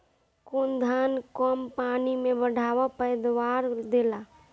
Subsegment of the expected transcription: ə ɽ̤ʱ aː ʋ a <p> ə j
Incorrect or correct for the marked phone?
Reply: correct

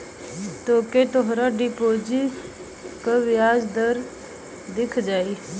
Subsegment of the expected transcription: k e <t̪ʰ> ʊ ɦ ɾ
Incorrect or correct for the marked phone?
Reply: incorrect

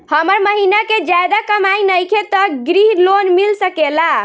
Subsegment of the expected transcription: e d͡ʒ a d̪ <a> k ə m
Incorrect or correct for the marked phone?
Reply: correct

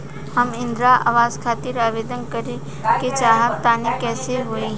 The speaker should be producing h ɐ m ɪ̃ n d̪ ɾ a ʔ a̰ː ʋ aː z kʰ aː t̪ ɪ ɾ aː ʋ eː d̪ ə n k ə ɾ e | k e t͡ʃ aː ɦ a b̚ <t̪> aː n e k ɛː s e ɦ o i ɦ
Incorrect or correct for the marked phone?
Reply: correct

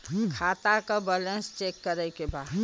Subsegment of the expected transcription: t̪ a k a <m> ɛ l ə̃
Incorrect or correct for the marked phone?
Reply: incorrect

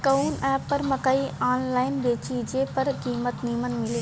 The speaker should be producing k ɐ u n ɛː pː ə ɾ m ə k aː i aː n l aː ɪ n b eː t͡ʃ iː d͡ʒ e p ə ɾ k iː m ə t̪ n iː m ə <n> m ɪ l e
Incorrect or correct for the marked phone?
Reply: correct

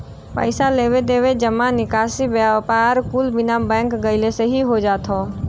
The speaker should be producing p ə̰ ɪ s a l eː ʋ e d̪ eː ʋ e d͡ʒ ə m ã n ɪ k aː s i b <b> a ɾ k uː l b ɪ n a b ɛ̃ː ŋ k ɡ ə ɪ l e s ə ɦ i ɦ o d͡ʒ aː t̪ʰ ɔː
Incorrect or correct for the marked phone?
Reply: incorrect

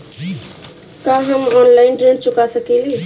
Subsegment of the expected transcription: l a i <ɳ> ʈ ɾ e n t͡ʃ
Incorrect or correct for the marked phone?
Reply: incorrect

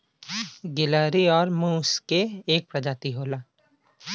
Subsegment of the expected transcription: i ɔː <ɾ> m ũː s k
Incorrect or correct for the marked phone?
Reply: correct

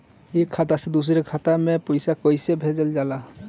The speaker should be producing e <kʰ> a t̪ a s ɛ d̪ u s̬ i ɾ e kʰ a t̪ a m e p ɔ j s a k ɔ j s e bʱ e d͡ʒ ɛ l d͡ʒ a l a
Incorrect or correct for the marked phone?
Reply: correct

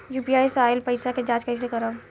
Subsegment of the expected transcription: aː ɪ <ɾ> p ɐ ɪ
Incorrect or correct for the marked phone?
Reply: incorrect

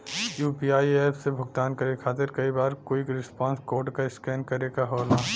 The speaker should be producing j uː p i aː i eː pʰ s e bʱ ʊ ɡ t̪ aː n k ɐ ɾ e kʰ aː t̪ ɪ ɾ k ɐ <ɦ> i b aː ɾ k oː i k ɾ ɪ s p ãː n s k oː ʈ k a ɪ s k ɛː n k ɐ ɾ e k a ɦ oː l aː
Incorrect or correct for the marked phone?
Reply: incorrect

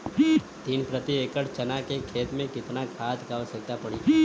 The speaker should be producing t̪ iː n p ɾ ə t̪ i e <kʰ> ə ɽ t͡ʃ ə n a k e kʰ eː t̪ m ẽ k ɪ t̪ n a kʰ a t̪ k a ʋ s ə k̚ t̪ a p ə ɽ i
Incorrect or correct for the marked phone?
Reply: incorrect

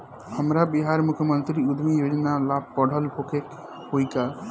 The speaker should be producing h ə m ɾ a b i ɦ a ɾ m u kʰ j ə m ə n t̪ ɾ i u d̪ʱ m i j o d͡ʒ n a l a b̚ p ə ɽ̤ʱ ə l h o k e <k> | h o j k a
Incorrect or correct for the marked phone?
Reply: correct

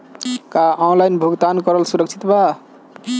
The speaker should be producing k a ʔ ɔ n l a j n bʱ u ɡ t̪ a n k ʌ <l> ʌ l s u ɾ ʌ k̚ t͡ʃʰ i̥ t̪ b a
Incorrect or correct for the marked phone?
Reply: incorrect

